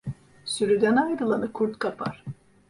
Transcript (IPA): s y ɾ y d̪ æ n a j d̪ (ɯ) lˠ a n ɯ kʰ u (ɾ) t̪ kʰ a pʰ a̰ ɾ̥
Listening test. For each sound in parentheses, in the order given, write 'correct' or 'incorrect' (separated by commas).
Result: correct, correct